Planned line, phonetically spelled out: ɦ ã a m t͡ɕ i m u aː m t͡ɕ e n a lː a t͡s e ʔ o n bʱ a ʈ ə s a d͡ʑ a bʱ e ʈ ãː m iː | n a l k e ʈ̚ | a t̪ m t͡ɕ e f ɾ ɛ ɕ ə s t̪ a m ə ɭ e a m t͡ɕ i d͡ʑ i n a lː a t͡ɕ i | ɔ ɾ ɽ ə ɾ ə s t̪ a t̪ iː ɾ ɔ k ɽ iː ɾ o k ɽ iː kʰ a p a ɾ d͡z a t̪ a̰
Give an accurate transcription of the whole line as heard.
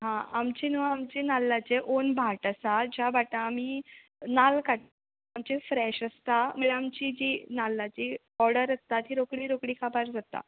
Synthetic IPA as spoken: ɦ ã a m t͡ɕ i n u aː m t͡ɕ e n a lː a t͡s e ʔ o n bʱ a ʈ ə s a d͡ʑ a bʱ a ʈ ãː m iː | n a l k a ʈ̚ | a m t͡ɕ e f ɾ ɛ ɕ ə s t̪ a m ə ɭ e a m t͡ɕ i d͡ʑ i n a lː a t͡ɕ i | ɔ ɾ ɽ ə ɾ ə s t̪ a t̪ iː ɾ o k ɽ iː ɾ o k ɽ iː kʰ a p a ɾ d͡z a t̪ a̰